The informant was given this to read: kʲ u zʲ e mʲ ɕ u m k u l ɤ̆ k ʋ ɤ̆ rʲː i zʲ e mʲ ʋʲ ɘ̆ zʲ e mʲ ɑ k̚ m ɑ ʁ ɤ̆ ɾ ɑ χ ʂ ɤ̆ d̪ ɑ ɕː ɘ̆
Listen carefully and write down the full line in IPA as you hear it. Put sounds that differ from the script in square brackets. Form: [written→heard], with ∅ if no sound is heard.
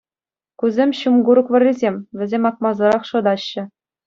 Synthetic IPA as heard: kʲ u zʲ e mʲ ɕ u m [k→ɡ] u [l→ɾ] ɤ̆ k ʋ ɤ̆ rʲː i zʲ e mʲ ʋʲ ɘ̆ zʲ e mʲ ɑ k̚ m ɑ [ʁ→z] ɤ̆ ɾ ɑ χ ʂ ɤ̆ d̪ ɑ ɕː ɘ̆